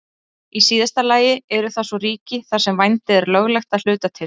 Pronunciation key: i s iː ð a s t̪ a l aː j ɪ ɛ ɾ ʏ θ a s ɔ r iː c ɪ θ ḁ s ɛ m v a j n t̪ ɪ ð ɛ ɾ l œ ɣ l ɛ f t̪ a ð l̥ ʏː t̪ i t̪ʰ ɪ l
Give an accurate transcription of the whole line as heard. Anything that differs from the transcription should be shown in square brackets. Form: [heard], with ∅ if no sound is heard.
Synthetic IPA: i s iː ð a s t̪ a l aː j ɪ ɛ ɾ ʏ θ a s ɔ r iː c ɪ θ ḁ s ɛ m v a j n t̪ ɪ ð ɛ ɾ l œ ɣ l ɛ [x] t̪ a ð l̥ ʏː t̪ [a] t̪ʰ ɪ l